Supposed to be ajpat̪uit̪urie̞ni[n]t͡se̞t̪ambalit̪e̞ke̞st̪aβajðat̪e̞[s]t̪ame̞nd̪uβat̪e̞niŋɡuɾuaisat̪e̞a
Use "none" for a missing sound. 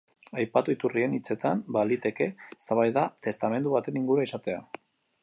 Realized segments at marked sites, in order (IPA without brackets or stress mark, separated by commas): none, s